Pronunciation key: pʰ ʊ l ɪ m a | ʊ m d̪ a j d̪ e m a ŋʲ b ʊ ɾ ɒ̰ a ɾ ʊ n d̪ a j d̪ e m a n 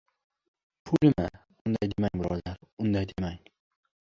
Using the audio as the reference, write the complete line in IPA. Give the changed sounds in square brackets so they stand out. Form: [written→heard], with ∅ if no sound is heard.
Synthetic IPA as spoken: pʰ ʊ l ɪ m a | ʊ [m→n] d̪ a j d̪ e m a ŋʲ b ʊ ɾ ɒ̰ a ɾ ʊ n d̪ a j d̪ e m a [n→ŋ]